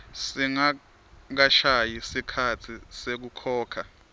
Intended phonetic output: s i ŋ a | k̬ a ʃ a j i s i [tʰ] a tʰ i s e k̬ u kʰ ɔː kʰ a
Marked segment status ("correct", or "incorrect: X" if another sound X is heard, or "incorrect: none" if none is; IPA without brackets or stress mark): incorrect: kʰ